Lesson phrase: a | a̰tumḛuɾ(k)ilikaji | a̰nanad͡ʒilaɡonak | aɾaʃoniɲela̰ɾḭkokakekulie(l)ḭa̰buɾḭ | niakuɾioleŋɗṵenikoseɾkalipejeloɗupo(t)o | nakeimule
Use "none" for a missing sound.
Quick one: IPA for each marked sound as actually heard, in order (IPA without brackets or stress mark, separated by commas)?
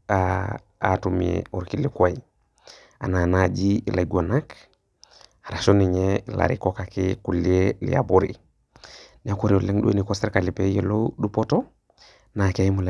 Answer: k, l, t